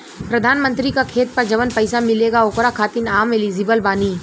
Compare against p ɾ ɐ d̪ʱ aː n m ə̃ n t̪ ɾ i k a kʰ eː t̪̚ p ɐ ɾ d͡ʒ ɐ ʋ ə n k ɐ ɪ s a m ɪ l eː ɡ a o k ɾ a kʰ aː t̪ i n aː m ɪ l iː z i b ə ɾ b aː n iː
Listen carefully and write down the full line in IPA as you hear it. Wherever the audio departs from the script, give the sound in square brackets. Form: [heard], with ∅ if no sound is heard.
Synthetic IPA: p ɾ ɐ d̪ʱ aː n m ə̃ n t̪ ɾ i k a kʰ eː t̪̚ p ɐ ɾ d͡ʒ ɐ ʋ ə n [p] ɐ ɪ s a m ɪ l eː ɡ a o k ɾ a kʰ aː t̪ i n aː m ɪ l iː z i b ə [l] b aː n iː